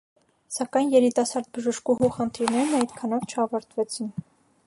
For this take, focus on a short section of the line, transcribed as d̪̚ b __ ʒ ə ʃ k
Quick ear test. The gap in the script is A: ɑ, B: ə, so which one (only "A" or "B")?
B